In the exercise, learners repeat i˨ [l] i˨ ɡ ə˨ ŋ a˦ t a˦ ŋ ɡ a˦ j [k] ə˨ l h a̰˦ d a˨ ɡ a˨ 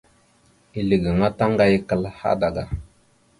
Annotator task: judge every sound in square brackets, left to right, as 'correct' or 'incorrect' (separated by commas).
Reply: correct, correct